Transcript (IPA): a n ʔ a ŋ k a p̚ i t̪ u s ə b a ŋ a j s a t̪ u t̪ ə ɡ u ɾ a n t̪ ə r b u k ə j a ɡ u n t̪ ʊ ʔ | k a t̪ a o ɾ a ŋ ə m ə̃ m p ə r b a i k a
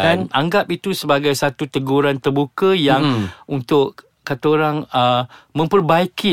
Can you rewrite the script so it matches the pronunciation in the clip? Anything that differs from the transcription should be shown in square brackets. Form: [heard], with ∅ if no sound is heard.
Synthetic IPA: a n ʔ a ŋ [ɡ] a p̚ i t̪ u s ə b a [ɡ] a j s a t̪ u t̪ ə ɡ u ɾ a n t̪ ə r b u k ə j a [ŋ] u n t̪ ʊ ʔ | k a t̪ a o ɾ a ŋ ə m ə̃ m p ə r b a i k [i]